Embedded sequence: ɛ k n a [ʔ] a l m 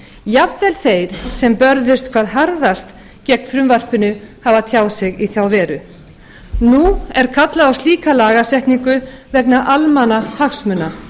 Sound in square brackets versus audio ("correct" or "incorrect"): correct